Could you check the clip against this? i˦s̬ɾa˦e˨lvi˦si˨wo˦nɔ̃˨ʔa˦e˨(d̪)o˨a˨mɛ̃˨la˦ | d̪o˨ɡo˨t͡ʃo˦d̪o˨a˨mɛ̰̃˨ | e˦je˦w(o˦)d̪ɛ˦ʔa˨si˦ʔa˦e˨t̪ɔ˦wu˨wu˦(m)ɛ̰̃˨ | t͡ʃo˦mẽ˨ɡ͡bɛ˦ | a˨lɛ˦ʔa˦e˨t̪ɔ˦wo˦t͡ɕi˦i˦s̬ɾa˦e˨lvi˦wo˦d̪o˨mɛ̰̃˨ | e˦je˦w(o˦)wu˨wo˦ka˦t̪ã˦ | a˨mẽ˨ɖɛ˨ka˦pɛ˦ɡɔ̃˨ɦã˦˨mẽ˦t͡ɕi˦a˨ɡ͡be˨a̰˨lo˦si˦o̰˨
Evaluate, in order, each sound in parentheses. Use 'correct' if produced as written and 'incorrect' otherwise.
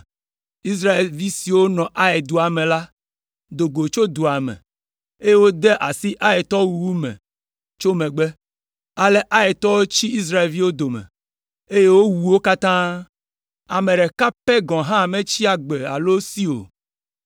correct, correct, correct, correct

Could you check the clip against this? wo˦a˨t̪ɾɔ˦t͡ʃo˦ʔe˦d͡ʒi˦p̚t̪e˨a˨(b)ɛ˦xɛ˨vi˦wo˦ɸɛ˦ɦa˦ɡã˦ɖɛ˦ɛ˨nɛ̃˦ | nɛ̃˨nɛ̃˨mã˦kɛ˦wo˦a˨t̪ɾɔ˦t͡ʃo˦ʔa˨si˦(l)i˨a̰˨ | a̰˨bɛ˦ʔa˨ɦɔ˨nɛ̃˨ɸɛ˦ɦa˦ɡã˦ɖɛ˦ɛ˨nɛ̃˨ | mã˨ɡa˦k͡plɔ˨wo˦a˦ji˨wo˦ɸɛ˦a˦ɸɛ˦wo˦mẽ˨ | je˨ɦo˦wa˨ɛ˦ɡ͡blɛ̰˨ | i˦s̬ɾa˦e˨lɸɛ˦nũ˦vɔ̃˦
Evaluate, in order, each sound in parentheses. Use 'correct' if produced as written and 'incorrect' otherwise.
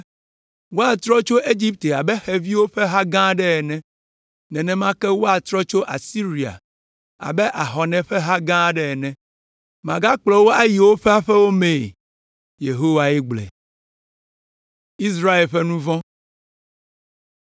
correct, incorrect

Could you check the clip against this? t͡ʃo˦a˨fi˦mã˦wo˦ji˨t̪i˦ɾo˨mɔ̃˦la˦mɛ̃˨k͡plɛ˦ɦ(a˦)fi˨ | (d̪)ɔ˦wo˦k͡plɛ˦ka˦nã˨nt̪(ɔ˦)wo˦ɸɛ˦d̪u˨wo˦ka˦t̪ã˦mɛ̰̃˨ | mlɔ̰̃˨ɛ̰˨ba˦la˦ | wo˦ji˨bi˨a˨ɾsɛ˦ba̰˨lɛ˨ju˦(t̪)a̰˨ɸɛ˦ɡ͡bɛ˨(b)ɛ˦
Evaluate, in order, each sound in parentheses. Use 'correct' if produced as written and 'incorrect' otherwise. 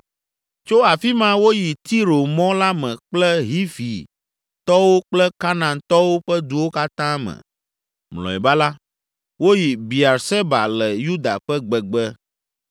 incorrect, incorrect, correct, incorrect, incorrect

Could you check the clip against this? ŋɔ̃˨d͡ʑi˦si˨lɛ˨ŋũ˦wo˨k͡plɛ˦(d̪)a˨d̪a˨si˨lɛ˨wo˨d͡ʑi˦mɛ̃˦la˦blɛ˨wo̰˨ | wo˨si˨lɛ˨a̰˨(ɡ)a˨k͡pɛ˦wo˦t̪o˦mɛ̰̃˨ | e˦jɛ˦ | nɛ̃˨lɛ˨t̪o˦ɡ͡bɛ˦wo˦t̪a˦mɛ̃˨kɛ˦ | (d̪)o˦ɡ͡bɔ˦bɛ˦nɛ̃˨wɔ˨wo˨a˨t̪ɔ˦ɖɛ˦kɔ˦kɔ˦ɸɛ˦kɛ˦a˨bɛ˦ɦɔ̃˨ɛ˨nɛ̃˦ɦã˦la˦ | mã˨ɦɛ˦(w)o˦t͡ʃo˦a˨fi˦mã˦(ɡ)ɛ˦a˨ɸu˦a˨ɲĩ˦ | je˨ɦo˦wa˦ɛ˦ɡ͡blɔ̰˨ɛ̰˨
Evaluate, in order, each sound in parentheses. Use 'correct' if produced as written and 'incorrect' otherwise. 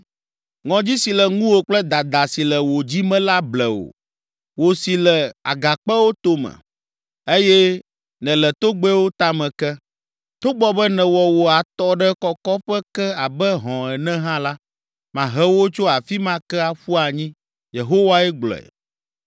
correct, correct, incorrect, correct, incorrect

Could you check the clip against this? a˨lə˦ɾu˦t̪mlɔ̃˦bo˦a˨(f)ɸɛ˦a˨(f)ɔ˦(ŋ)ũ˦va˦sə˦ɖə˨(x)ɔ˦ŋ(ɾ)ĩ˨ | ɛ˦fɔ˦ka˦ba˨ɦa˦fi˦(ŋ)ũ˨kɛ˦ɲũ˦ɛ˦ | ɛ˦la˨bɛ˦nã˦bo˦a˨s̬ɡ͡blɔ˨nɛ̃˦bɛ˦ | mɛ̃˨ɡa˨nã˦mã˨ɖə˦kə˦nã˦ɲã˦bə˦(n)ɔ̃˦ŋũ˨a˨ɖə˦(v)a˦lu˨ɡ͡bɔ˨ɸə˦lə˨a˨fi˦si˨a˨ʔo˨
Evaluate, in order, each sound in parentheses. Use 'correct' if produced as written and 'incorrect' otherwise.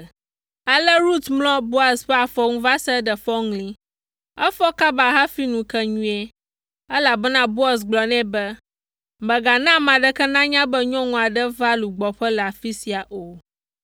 incorrect, correct, correct, incorrect, incorrect, incorrect, incorrect, correct

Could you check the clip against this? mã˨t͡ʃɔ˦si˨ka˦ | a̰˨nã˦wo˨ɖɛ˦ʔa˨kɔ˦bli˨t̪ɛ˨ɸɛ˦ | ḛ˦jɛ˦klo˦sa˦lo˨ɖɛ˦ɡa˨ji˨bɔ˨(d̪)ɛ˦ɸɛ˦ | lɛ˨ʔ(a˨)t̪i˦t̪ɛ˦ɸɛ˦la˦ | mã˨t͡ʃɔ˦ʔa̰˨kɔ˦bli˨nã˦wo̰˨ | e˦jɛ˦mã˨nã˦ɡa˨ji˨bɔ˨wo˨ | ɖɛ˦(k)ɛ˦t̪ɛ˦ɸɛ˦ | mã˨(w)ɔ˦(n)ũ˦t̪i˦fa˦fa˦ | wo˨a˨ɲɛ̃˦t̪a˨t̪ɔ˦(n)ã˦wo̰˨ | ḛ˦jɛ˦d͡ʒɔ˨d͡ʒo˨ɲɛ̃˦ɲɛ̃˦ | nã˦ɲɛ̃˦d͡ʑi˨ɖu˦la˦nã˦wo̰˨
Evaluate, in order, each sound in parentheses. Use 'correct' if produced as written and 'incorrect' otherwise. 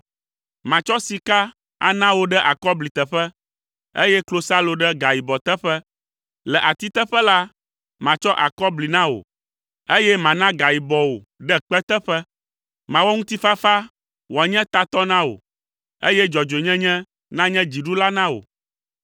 incorrect, correct, incorrect, correct, incorrect, correct

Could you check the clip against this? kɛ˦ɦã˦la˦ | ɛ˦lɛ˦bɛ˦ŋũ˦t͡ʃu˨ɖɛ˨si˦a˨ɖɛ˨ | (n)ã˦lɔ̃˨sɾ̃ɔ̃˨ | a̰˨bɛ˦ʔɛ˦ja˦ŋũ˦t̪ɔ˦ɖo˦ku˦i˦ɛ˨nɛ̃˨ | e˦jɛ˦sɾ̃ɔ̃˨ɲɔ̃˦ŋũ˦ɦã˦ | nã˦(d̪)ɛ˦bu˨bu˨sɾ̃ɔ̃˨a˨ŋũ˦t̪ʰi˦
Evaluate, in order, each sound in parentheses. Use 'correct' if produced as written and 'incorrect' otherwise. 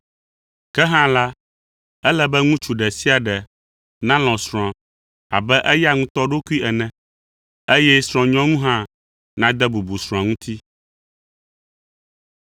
correct, correct

